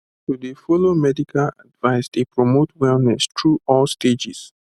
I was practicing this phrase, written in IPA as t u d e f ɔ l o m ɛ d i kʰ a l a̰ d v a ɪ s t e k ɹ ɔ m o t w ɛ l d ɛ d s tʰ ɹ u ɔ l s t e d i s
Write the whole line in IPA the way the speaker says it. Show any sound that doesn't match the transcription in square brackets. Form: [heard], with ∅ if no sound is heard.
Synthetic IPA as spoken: t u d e f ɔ l o m ɛ d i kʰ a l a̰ d v a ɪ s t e [p] ɹ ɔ m o t w ɛ l [n] ɛ [∅] s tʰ ɹ u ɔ l s t e [d͡ʒ] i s